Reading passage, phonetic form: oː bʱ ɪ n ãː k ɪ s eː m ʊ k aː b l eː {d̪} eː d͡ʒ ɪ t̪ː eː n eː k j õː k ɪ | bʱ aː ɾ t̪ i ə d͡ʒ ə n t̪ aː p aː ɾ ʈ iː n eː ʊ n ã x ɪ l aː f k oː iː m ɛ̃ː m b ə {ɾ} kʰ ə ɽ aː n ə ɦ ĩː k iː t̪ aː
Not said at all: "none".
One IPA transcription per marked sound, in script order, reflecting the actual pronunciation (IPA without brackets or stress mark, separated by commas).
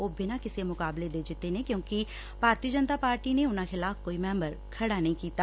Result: d̪, ɾ